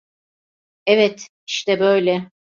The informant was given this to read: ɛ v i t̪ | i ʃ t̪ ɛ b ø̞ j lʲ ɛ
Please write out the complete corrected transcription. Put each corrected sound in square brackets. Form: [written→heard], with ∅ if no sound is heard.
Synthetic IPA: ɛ v [i→ɛ] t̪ | i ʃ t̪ ɛ b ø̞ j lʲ ɛ

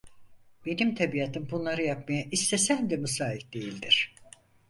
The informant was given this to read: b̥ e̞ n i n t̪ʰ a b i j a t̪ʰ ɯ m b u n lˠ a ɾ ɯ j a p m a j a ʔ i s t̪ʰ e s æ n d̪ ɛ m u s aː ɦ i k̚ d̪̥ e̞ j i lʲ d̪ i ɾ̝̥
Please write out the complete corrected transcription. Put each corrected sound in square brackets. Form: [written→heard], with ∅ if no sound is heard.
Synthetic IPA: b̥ e̞ n i [n→m] t̪ʰ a b i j a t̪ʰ ɯ m b u n lˠ a ɾ ɯ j a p m a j a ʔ i s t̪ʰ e s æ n d̪ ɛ m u s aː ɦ i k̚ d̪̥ e̞ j i lʲ d̪ i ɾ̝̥

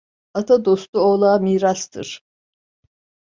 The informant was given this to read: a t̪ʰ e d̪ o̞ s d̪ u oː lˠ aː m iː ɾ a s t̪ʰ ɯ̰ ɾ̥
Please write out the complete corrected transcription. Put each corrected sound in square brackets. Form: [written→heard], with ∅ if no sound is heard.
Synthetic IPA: a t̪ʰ [e→a] d̪ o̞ s [d̪→t̪] u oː lˠ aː m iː ɾ a s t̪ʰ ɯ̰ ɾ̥

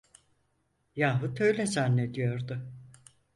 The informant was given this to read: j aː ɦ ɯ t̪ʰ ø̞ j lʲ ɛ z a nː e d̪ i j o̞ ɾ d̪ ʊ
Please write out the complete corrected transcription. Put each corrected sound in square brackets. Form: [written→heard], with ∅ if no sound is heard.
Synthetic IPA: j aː ɦ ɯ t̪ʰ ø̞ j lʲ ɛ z a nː e d̪ i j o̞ ɾ d̪ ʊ

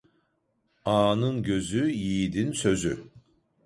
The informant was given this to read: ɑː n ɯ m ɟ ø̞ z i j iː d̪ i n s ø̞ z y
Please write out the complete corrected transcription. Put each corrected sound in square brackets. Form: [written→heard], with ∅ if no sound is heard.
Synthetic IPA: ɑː n ɯ [m→n] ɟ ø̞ z [i→y] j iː d̪ i n s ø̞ z y

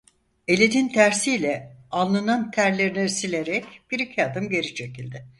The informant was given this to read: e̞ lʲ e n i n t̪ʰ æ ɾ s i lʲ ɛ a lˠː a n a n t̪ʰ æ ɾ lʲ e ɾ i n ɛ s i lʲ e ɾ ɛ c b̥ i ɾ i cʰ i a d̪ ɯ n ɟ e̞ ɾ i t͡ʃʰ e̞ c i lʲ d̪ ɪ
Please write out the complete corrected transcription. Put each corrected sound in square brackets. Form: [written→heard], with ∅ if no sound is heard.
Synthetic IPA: e̞ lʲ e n i n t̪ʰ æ ɾ s i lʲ ɛ a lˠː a n a n t̪ʰ æ ɾ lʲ e ɾ i n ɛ s i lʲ e ɾ ɛ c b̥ i ɾ i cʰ i a d̪ ɯ [n→m] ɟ e̞ ɾ i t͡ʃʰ e̞ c i lʲ d̪ ɪ

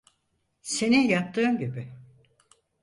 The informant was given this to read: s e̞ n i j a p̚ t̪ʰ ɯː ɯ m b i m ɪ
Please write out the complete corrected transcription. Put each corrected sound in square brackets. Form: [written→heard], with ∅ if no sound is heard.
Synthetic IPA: s e̞ n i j a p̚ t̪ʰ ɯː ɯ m [b→ɟ] i [m→b] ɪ

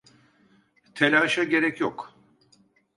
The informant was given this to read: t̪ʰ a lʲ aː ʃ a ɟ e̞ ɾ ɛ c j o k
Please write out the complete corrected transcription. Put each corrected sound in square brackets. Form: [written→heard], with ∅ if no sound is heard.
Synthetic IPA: t̪ʰ [a→e] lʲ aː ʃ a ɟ e̞ ɾ ɛ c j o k

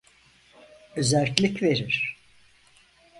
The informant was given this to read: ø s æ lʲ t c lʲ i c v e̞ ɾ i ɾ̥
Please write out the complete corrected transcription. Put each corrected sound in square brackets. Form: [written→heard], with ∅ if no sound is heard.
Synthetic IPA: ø [s→z] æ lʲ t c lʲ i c v e̞ ɾ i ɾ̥

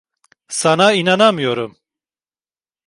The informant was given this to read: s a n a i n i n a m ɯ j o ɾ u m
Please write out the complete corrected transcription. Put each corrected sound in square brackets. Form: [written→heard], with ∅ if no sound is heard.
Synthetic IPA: s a n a i n [i→a] n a m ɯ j o ɾ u m

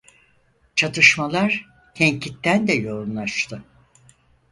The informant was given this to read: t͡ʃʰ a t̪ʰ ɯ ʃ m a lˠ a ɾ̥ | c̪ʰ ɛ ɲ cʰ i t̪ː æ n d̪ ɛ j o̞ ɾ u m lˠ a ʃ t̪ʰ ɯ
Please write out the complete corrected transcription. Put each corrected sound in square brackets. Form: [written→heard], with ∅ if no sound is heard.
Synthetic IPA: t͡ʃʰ a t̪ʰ ɯ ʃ m a lˠ a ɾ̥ | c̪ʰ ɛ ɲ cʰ i t̪ː æ n d̪ ɛ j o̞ ɾ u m lˠ a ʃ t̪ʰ ɯ

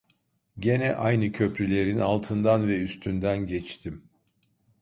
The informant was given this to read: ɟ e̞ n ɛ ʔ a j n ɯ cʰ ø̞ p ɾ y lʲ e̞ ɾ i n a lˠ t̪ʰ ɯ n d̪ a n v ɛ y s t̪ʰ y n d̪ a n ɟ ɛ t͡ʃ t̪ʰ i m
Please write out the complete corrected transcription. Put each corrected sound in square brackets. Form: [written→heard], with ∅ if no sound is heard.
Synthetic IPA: ɟ e̞ n ɛ ʔ a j n ɯ cʰ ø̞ p ɾ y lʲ e̞ ɾ i n a lˠ t̪ʰ ɯ n d̪ a n v ɛ y s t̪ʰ y n d̪ [a→æ] n ɟ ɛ t͡ʃ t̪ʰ i m

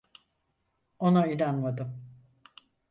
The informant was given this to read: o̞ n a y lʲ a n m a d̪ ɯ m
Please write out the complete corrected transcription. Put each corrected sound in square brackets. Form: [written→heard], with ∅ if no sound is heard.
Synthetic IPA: o̞ n a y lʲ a n m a d̪ ɯ m

